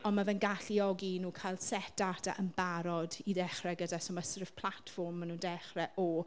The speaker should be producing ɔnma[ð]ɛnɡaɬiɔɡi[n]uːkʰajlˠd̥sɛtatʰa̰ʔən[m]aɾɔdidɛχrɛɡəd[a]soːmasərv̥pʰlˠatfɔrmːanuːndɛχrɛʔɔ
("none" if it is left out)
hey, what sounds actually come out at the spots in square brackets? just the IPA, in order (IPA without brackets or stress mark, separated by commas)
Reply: v, n, b, a